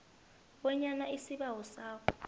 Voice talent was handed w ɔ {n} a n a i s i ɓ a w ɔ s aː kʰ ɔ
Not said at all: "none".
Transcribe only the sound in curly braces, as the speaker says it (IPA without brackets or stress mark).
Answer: ɲ